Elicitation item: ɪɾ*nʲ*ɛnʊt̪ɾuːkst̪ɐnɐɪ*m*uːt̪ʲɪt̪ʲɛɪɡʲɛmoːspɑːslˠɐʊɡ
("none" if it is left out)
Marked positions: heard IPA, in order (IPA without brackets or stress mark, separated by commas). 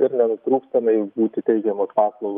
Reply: nʲ, b